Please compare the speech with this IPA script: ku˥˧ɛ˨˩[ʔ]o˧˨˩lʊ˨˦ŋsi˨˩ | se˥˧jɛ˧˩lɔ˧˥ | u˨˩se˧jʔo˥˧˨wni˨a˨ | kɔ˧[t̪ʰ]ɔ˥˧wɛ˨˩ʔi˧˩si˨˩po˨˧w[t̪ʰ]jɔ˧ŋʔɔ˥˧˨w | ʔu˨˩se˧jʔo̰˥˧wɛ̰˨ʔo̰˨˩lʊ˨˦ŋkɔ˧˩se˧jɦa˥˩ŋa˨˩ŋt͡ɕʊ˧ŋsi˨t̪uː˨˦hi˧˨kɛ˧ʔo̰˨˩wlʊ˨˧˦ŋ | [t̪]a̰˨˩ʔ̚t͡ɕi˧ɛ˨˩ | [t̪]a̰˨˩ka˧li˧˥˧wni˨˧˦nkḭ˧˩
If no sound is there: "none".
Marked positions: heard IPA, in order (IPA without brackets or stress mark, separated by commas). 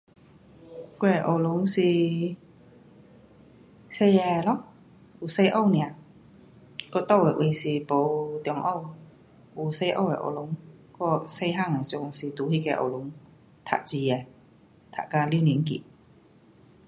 ʔ, t̪, t̪, t̪ʰ, t̪ʰ